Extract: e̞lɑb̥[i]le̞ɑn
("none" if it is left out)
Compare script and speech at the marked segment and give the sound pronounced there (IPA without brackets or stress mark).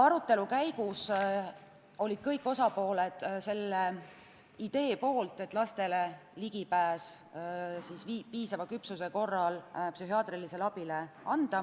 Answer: i